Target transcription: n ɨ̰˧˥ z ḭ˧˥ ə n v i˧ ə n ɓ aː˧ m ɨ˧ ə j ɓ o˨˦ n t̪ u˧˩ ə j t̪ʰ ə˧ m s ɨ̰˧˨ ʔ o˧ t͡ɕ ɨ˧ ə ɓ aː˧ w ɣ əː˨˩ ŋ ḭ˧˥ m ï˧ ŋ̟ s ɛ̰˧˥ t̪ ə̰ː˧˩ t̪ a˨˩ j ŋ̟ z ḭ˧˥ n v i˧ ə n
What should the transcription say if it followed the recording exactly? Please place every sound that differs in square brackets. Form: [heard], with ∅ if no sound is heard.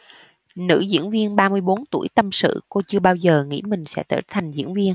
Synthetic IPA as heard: n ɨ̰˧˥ z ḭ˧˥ ə n v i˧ ə n ɓ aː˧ m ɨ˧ ə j ɓ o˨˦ n t̪ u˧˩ ə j [t̪] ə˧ m s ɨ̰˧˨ [k] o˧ t͡ɕ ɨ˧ ə ɓ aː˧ w [z] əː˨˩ ŋ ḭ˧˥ m [ï˨˩] ŋ̟ s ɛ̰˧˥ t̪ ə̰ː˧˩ [t̪ʰ] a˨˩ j ŋ̟ z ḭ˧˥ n v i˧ ə n